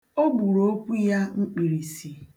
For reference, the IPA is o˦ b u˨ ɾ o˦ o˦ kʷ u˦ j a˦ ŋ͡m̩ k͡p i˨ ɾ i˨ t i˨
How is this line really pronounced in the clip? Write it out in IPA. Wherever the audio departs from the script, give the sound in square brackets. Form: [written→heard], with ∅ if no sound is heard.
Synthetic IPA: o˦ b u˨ ɾ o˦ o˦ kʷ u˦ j a˦ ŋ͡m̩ k͡p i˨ ɾ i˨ [t→s] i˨

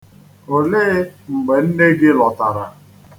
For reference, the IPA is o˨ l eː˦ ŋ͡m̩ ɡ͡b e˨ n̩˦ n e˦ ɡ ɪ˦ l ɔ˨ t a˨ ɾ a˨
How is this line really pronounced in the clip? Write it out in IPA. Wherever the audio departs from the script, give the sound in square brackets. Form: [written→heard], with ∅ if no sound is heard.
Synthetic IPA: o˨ l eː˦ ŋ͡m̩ ɡ͡b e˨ n̩˦ n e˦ ɡ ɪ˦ l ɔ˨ t a˨ ɾ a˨

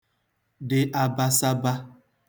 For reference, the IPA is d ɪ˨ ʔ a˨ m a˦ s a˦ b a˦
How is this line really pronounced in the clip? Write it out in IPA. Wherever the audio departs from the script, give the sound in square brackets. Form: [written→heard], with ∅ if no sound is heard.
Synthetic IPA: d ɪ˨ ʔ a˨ [m→b] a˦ s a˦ b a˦

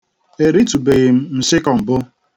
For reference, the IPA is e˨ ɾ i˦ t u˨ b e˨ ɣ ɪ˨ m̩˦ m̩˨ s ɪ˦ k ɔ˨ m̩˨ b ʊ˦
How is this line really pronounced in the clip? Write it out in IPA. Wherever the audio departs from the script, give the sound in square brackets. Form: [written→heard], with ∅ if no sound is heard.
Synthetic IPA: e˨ ɾ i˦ t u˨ b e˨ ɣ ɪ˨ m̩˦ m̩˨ s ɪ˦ k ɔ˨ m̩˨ b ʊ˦

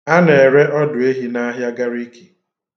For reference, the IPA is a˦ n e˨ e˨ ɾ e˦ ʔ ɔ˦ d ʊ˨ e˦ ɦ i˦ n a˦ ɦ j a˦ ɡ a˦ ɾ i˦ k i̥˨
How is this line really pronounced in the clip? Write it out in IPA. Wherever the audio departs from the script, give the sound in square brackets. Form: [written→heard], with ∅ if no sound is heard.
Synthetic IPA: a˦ n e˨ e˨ ɾ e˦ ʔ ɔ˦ d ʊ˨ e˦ ɦ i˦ n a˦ ɦ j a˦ ɡ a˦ ɾ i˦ k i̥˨

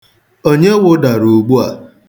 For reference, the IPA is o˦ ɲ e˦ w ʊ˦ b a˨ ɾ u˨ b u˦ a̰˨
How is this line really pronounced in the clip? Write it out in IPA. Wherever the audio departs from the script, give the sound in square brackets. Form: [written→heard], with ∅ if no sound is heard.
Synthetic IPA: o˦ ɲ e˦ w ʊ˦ [b→d] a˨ ɾ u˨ [b→ɡ͡b] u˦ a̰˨

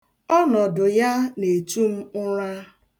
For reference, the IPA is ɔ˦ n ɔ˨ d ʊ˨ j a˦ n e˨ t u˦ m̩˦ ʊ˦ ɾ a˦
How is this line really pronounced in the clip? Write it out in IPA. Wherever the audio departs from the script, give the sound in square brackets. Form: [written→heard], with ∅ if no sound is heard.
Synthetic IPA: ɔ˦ n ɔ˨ d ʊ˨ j a˦ n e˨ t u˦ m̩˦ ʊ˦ ɾ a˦

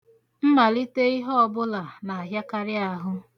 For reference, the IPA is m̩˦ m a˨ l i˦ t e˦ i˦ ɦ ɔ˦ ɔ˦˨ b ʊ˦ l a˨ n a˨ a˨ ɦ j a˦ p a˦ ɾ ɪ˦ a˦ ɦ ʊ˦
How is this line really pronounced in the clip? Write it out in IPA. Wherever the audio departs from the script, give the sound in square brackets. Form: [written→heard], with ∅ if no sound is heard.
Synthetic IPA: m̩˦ m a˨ l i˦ t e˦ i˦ ɦ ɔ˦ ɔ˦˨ b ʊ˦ l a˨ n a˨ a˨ ɦ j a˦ [p→k] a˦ ɾ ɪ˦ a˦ ɦ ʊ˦

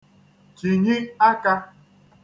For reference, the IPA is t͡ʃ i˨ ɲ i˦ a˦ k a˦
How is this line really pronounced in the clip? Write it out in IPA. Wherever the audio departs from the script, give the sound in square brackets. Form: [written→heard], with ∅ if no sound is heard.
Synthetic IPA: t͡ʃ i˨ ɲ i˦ a˦ k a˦

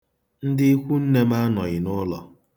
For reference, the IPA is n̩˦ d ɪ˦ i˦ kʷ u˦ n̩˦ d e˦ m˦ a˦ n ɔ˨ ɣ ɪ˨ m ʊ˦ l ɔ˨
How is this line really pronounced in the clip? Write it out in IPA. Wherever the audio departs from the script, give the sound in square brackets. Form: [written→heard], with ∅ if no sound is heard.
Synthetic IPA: n̩˦ d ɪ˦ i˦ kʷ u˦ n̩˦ [d→n] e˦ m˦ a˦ n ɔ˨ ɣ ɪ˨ [m→n] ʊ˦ l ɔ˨

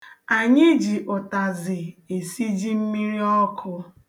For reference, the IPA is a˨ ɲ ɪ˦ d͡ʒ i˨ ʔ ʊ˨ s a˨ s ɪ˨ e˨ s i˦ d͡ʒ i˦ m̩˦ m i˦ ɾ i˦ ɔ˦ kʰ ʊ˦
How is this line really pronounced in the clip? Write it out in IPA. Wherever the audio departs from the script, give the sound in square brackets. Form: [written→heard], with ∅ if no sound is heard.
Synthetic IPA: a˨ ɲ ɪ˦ d͡ʒ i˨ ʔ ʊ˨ [s→t] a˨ [s→z] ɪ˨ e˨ s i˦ d͡ʒ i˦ m̩˦ m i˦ ɾ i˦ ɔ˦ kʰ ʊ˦

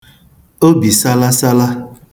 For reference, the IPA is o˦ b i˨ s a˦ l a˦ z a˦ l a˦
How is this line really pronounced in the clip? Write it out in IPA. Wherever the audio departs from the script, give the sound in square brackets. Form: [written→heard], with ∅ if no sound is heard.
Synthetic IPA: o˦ b i˨ s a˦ l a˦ [z→s] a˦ l a˦

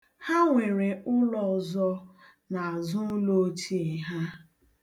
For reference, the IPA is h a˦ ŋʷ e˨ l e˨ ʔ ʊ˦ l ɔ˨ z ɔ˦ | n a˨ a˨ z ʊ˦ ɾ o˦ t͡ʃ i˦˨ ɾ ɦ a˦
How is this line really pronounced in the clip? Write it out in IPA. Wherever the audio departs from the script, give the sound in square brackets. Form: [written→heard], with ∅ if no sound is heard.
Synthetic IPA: h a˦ ŋʷ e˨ [l→ɾ] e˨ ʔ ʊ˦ l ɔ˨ z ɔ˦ | n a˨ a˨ z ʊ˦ [ɾ→l] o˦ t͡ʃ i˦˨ [ɾ→∅] ɦ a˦

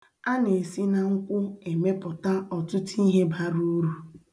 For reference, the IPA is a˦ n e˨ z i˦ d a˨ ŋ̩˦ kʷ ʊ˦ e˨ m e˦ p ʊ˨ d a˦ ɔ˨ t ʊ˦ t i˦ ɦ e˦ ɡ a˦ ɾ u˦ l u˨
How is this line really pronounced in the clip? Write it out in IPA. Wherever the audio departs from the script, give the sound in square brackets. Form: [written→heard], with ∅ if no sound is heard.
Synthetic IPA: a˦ n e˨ [z→s] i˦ [d→n] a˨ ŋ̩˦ kʷ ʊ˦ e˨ m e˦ p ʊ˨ [d→t] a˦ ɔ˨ t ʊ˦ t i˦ ɦ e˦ [ɡ→b] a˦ ɾ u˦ [l→ɾ] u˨

